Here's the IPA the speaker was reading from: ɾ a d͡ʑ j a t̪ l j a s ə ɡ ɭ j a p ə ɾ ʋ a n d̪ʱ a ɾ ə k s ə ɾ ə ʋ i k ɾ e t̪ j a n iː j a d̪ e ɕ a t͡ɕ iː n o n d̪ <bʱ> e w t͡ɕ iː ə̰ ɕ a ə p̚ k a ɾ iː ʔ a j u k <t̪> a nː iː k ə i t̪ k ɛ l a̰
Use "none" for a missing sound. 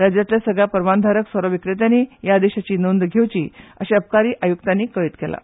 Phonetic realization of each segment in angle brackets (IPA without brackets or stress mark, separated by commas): ɡʱ, t̪